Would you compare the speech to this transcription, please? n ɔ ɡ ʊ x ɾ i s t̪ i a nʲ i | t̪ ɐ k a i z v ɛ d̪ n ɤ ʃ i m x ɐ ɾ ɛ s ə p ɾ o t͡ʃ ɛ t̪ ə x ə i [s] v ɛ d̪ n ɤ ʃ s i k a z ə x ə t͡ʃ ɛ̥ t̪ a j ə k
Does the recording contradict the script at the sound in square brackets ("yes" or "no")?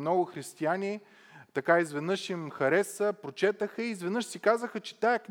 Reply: yes